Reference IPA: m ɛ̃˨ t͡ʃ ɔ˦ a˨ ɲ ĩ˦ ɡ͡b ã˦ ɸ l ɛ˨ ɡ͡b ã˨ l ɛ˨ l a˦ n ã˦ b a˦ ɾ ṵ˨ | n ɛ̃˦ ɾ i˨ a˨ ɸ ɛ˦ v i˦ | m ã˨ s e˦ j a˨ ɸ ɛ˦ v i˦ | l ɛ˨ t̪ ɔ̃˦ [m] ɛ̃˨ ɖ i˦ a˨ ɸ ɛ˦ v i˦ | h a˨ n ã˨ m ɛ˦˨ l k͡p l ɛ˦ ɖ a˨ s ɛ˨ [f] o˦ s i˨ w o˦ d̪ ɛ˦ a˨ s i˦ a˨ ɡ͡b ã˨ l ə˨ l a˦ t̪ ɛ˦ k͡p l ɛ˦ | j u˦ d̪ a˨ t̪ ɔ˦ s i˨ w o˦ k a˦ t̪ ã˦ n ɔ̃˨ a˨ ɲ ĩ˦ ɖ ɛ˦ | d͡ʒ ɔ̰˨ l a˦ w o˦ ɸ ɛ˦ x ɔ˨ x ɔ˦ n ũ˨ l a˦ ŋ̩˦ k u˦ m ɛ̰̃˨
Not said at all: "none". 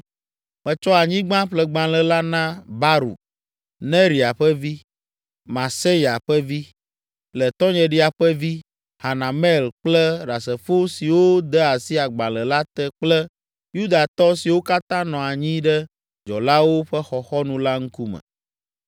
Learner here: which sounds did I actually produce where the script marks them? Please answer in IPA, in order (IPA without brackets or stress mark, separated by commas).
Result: ɲ, f